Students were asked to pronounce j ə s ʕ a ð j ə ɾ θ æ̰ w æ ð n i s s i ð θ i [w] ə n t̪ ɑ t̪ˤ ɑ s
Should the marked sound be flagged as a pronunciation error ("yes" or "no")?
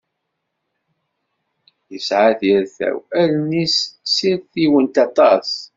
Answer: no